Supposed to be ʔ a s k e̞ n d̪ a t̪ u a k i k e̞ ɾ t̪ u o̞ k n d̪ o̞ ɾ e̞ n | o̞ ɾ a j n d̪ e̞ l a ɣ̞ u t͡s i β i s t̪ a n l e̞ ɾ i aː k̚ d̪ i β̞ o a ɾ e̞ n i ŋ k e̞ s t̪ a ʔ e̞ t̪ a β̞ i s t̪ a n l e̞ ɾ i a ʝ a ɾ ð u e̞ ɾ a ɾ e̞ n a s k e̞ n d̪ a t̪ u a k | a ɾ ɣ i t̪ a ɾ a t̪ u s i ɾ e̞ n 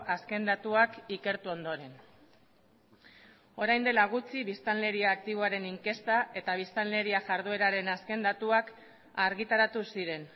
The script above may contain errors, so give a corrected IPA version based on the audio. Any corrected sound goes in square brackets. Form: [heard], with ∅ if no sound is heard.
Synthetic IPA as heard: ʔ a s k e̞ n d̪ a t̪ u a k i k e̞ ɾ t̪ u o̞ [∅] n d̪ o̞ ɾ e̞ n | o̞ ɾ a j n d̪ e̞ l a ɣ̞ u t͡s i β i s t̪ a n l e̞ ɾ i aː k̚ [t̪] i β̞ o a ɾ e̞ n i ŋ k e̞ s t̪ a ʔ e̞ t̪ a β̞ i s t̪ a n l e̞ ɾ i a ʝ a ɾ ð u e̞ ɾ a ɾ e̞ n a s k e̞ n d̪ a t̪ u a k | a ɾ ɣ i t̪ a ɾ a t̪ u s i ɾ e̞ n